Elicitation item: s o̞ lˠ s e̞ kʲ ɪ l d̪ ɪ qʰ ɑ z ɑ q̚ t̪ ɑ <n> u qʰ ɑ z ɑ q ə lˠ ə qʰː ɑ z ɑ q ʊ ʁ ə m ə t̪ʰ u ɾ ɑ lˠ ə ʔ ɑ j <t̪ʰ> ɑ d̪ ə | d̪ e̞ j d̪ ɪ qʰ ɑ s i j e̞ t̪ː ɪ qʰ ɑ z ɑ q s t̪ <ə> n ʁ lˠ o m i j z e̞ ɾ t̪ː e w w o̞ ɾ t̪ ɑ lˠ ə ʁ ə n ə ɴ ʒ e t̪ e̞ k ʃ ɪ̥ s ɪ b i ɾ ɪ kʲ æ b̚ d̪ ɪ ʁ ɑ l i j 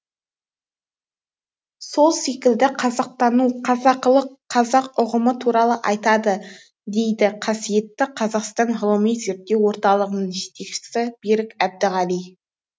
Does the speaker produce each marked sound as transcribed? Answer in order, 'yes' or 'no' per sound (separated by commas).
yes, no, no